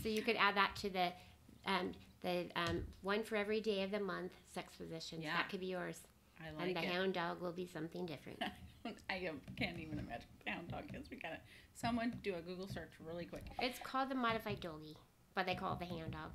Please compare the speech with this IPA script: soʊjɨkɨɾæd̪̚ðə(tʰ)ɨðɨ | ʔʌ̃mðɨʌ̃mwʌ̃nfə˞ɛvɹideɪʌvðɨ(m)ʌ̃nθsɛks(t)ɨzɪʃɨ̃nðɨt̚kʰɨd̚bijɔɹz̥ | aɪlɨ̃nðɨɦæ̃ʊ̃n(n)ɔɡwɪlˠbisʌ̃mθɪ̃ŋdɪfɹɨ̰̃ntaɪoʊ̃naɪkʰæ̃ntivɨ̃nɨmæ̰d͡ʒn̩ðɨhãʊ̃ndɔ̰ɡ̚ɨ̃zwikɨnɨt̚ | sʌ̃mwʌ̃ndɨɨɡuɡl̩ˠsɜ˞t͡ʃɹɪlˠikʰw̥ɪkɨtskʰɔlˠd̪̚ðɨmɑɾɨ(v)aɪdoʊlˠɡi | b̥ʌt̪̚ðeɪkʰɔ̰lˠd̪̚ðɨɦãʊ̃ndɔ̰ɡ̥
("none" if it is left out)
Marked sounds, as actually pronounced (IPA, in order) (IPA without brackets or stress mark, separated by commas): tʰ, m, p, d, f